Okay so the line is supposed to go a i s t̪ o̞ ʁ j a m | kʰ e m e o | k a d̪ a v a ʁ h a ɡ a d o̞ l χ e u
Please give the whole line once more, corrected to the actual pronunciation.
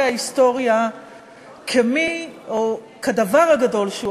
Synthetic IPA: a i s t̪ o̞ ʁ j a | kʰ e m i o | k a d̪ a v a ʁ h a ɡ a d o̞ l ʃ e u